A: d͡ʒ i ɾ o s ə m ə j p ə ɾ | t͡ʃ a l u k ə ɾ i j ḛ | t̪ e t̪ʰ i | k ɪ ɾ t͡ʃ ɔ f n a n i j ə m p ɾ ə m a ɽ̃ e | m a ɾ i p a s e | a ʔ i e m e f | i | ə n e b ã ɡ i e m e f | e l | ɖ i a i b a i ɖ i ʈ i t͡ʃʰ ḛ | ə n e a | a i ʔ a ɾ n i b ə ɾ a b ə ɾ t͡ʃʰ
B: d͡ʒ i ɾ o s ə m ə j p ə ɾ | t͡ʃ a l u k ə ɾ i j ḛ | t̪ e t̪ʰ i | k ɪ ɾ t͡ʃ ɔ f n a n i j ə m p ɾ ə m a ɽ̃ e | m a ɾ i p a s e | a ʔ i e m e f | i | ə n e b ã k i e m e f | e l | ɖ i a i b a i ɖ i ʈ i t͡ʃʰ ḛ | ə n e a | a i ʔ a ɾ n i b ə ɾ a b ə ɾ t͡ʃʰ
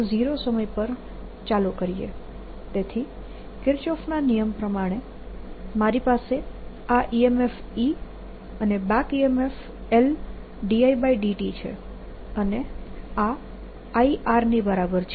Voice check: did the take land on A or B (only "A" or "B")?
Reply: B